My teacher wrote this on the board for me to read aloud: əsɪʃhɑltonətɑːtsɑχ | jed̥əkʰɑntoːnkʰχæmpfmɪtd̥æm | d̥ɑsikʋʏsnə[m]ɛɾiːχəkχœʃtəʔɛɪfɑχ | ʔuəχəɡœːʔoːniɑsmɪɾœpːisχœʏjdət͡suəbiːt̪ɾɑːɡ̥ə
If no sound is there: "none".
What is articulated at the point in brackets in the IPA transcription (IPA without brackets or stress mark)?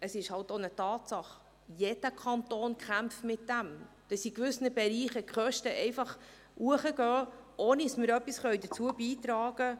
b